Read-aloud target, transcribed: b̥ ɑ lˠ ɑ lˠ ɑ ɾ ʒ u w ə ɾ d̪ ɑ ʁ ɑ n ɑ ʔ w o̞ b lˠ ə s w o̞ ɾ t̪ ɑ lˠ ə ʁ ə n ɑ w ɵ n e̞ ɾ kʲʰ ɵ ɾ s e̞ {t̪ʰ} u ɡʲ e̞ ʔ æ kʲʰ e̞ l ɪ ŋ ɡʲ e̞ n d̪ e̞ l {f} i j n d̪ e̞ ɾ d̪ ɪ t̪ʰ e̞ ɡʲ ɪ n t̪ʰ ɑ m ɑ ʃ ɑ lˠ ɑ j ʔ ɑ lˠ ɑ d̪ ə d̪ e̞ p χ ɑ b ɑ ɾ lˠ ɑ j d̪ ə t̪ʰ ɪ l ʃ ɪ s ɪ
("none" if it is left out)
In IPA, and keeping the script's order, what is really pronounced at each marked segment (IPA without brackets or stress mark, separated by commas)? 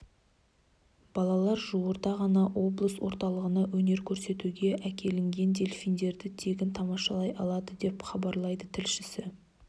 t̪, f